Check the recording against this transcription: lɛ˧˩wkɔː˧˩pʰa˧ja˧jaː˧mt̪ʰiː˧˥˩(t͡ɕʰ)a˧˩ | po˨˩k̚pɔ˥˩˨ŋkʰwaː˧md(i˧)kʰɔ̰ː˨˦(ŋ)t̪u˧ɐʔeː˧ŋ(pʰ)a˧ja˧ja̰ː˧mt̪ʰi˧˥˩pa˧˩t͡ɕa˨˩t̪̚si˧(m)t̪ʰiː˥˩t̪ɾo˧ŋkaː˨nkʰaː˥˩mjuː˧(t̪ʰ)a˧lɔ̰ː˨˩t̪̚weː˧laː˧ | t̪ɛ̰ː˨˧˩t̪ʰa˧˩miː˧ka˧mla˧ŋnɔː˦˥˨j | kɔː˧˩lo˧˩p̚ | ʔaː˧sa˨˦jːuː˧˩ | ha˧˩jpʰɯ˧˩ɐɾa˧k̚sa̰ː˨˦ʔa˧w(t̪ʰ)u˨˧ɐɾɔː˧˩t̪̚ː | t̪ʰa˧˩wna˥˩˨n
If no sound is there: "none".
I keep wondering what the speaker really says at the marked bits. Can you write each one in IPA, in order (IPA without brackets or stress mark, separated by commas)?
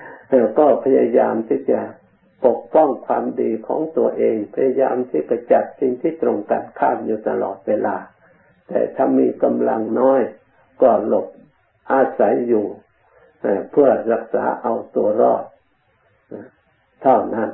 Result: t͡ɕ, iː˧, ŋ, pʰ, ŋ, t̪, t̪